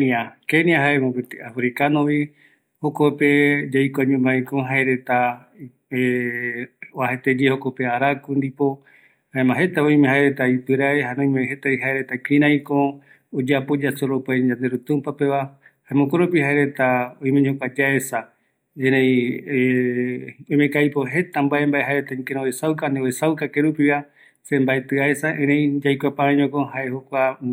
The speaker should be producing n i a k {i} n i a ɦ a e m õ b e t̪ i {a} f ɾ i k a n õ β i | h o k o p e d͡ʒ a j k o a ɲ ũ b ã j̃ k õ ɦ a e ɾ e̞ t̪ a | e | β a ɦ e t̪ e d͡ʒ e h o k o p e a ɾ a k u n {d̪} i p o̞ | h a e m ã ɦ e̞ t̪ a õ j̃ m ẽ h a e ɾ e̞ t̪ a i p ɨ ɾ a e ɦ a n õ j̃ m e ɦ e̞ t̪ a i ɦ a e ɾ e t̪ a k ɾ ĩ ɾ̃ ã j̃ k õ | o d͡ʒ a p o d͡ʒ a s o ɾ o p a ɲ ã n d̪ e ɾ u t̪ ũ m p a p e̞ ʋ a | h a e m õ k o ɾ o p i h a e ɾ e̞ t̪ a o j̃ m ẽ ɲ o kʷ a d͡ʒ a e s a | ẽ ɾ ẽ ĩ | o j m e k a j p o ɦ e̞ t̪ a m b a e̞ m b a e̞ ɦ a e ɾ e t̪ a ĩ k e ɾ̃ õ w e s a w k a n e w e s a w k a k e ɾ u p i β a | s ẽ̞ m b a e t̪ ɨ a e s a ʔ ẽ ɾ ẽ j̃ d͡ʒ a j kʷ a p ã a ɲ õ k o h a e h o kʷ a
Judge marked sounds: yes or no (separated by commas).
no, yes, yes